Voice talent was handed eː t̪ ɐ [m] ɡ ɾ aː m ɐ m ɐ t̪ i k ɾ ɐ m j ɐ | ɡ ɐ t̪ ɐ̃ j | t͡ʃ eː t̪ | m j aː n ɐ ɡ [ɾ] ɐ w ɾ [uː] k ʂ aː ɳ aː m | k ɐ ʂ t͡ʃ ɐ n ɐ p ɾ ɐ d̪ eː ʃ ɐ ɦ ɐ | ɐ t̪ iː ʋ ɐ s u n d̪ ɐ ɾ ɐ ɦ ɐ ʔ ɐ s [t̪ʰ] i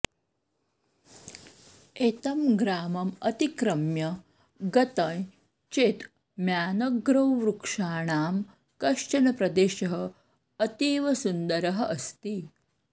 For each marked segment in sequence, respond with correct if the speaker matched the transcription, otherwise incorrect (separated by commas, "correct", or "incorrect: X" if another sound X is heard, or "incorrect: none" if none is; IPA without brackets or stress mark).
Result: correct, correct, incorrect: u, incorrect: t̪